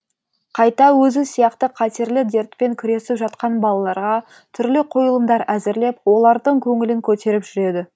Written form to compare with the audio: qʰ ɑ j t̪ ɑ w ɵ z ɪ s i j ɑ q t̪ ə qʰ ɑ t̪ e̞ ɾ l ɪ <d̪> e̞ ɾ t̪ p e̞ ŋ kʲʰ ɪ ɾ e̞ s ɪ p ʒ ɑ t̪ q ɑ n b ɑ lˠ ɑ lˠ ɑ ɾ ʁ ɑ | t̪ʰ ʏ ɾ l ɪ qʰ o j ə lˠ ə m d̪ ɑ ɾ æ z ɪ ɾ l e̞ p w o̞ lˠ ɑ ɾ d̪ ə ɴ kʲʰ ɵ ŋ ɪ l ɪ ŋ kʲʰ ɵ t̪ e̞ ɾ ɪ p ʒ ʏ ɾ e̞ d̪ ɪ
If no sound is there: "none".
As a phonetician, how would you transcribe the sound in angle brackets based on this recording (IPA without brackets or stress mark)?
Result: d̪